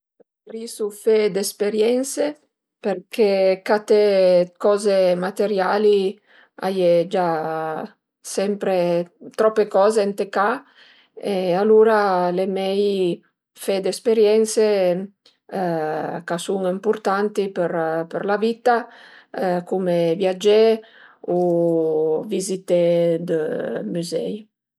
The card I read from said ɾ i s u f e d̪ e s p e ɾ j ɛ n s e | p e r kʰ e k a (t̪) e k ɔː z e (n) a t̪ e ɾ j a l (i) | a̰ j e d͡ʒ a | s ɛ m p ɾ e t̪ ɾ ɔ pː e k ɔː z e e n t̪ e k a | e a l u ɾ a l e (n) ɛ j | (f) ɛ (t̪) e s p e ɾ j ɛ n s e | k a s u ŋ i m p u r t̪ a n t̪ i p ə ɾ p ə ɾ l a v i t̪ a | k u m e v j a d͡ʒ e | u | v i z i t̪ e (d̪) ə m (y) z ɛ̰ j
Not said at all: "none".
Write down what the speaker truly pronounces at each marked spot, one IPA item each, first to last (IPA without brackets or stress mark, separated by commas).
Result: t̪, m, i, m, f, d̪, d̪, y